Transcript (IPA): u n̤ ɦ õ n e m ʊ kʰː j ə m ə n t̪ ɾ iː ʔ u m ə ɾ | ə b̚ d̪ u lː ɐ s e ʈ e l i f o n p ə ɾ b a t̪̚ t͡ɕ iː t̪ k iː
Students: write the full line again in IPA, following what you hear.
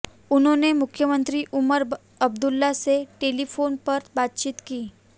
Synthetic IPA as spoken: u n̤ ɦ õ n e m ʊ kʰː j ə m ə n t̪ ɾ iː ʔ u m ə ɾ | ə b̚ d̪ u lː a s e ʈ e l i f o n p ə ɾ b a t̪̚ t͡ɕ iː t̪ k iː